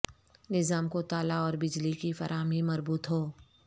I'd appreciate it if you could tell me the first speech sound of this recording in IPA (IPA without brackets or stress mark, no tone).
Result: n